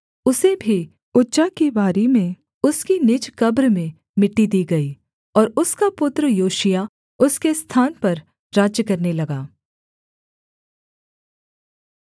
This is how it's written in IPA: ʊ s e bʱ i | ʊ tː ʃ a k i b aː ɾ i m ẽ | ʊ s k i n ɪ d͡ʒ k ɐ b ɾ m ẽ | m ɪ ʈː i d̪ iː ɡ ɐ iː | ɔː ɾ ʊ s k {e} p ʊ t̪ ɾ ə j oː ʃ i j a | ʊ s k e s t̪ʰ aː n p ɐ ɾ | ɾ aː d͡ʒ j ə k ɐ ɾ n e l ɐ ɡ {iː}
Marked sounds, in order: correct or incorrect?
incorrect: a, incorrect: aː

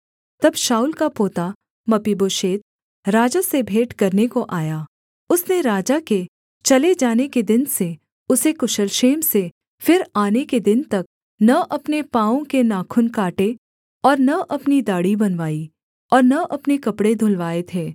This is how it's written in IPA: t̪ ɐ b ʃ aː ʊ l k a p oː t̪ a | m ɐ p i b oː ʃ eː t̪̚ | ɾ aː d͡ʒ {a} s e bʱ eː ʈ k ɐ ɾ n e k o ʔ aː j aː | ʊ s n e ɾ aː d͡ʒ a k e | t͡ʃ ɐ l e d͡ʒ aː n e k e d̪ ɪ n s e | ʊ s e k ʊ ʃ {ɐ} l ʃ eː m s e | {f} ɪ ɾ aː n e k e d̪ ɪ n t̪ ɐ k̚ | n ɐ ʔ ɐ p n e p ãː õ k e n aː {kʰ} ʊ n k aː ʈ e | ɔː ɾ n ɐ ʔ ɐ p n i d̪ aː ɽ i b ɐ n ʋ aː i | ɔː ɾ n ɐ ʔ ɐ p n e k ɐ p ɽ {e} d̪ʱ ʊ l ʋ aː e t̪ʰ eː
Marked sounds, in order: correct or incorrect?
correct, incorrect: ə, correct, correct, correct

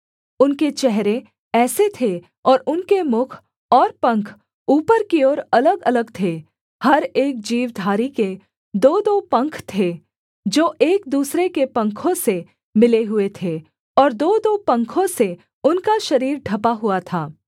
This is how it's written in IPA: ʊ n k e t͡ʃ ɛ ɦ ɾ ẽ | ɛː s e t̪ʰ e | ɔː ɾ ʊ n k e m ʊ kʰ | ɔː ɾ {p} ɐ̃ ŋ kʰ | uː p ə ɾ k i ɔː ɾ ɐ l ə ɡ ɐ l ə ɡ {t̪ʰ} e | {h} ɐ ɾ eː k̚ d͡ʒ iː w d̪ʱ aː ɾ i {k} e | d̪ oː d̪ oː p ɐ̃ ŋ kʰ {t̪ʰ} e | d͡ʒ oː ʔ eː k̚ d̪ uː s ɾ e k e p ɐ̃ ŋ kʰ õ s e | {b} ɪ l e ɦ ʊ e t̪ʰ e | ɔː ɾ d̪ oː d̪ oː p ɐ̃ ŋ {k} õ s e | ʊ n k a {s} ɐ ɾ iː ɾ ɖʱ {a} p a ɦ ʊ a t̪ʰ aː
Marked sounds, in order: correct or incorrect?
correct, correct, correct, correct, correct, incorrect: m, incorrect: kʰ, incorrect: ʃ, incorrect: ɐ

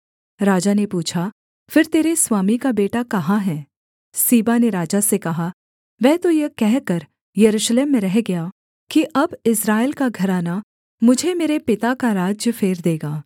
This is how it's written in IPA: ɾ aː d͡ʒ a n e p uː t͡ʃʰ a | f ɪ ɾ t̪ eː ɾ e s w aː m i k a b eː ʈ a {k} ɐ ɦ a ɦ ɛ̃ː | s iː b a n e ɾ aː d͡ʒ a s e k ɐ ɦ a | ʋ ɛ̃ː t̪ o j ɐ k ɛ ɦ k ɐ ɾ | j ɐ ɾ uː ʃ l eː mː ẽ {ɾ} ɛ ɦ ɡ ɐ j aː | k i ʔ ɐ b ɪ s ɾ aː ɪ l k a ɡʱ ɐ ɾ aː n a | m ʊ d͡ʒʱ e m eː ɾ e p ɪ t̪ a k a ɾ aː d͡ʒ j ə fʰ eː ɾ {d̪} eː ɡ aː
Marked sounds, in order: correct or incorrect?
correct, correct, correct

